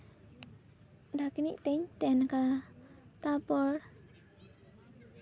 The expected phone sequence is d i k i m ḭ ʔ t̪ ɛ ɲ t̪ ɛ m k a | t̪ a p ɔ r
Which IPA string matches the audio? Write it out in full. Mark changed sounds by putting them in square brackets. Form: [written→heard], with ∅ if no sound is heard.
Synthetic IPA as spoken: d [i→a] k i [m→n] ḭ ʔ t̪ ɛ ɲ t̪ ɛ [m→n] k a | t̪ a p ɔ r